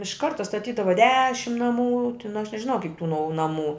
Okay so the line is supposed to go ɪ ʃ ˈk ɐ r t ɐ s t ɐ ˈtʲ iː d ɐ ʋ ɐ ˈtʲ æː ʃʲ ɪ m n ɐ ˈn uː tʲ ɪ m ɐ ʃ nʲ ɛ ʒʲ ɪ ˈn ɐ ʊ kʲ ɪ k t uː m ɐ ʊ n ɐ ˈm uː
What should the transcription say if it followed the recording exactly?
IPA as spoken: ɪ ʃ ˈk ɐ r t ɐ s t ɐ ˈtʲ iː d ɐ ʋ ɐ ˈdʲ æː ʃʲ ɪ m n ɐ ˈm uː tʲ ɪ n ɐ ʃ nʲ ɛ ʒʲ ɪ ˈn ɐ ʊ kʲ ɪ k t uː n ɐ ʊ n ɐ ˈm uː